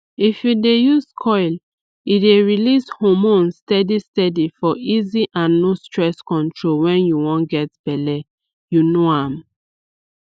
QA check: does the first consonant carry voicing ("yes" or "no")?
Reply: no